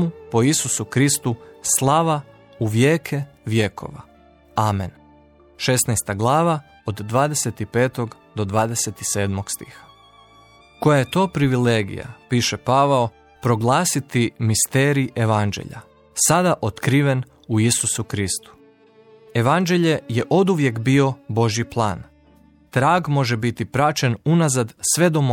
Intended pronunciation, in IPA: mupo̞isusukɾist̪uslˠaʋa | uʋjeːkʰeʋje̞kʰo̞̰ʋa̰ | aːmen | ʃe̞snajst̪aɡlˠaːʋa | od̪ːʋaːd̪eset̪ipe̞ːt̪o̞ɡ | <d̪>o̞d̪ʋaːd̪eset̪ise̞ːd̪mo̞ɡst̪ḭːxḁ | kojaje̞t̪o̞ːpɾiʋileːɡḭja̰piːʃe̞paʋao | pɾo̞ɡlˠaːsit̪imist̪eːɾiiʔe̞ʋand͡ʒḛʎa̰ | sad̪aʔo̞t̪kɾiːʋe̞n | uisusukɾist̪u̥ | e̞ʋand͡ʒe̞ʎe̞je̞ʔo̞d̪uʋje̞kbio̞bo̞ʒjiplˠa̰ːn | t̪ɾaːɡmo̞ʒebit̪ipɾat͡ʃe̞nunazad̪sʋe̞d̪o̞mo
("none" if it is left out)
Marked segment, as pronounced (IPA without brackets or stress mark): d̪